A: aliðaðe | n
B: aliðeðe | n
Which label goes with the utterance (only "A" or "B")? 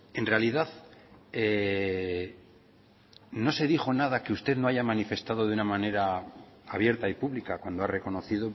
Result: A